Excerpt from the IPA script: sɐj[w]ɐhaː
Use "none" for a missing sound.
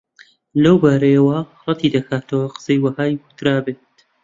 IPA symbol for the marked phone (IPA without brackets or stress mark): w